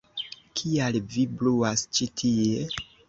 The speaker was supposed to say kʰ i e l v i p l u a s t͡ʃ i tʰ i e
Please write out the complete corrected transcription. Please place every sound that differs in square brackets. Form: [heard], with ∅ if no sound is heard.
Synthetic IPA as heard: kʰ i [a] l v i [b] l u a s t͡ʃ i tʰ i e